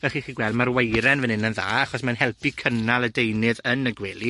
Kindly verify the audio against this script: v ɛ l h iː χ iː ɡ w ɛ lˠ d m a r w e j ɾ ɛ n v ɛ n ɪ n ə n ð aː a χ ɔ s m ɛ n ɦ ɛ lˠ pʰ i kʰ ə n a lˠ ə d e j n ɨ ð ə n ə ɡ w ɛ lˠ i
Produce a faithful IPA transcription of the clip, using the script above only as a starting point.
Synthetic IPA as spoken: v ɛ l χ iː χ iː ɡ w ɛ lˠ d m a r w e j ɾ ɛ n v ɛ n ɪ n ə n ð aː a χ ɔ s m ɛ n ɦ ɛ lˠ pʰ i kʰ ə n a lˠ ə d e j n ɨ ð ə n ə ɡ w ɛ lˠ i